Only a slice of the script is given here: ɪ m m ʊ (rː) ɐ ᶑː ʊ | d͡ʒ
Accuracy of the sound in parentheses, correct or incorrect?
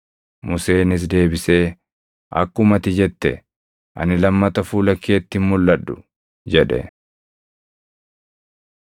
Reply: incorrect